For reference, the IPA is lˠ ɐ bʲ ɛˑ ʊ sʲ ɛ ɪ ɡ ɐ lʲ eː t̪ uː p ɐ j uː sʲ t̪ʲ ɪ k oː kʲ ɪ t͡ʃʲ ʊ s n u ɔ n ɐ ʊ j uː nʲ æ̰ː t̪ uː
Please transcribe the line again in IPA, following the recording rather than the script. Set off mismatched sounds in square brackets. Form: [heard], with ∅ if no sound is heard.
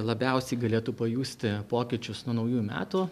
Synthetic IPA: lˠ ɐ bʲ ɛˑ ʊ sʲ ɛ ɪ ɡ ɐ lʲ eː t̪ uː p ɐ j uː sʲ t̪ʲ ɪ [p] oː kʲ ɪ t͡ʃʲ ʊ s n u ɔ n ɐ ʊ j uː [mʲ] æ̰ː t̪ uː